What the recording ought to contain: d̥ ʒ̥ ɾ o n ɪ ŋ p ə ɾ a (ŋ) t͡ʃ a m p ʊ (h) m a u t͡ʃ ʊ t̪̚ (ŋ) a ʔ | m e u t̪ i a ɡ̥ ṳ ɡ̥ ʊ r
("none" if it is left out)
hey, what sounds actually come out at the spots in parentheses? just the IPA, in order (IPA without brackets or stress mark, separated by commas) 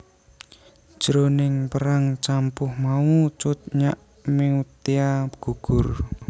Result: ŋ, h, ɲ